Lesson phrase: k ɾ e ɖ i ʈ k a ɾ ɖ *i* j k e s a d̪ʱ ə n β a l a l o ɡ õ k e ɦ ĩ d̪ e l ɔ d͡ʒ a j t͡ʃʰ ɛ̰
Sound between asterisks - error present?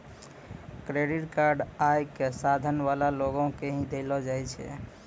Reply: yes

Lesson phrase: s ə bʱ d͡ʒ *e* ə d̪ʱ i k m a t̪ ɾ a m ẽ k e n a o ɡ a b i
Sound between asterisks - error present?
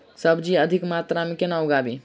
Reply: yes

